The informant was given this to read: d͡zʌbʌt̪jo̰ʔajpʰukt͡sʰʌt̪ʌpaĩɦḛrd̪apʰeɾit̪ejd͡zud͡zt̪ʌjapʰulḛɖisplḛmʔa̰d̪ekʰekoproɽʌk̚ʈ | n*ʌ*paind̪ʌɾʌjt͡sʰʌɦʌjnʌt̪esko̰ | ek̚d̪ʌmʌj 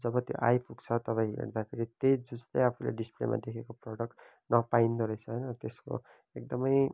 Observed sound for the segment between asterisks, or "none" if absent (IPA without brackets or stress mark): ʌ